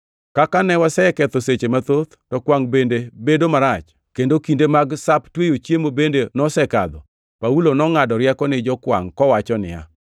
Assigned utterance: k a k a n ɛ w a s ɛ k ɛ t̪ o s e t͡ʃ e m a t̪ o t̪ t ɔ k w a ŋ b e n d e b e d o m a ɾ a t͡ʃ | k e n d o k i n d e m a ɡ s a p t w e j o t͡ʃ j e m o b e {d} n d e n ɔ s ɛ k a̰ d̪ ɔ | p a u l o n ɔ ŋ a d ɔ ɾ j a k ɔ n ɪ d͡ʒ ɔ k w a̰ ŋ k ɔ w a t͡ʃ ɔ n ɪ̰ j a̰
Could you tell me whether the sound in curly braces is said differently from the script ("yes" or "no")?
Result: yes